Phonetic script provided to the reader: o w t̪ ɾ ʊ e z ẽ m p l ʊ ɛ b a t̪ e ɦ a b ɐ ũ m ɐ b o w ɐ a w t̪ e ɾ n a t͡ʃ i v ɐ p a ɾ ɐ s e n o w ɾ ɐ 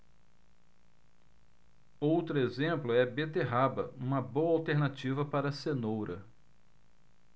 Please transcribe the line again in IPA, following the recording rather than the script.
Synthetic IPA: o w t̪ ɾ ʊ e z ẽ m p l ʊ ɛ b e t̪ e ɦ a b ɐ ũ m ɐ b o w ɐ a w t̪ e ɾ n a t͡ʃ i v ɐ p a ɾ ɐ s e n o w ɾ ɐ